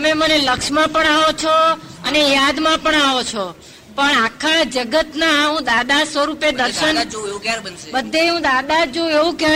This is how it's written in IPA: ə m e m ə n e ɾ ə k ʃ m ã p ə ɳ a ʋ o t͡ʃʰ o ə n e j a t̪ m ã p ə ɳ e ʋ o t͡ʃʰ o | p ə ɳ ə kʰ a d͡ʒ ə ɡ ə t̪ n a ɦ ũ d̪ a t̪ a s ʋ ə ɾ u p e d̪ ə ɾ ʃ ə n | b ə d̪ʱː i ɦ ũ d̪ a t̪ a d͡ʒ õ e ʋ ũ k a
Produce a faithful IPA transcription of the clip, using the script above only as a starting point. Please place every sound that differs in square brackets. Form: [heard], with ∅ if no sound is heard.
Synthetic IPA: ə m e m ə n e [l] ə k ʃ m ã p ə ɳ a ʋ o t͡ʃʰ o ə n e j a [d̪] m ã p ə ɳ [a] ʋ o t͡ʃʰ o | p ə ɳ [a] kʰ a d͡ʒ ə ɡ ə t̪ n a ɦ ũ d̪ a [d̪] a s ʋ ə ɾ u p e d̪ ə ɾ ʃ ə n | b ə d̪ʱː [e] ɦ ũ d̪ a [d̪] a d͡ʒ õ e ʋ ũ k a